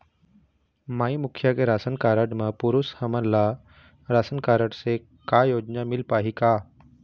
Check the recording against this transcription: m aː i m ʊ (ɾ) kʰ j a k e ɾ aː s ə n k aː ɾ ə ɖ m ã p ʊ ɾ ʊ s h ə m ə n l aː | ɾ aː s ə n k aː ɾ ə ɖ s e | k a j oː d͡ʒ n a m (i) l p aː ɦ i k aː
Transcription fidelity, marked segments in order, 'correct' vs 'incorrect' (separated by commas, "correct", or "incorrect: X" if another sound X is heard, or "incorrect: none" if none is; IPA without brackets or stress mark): incorrect: none, incorrect: ɪ